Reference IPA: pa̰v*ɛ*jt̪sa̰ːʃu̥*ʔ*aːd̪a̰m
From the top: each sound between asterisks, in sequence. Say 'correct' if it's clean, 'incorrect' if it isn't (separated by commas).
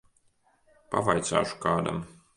incorrect, incorrect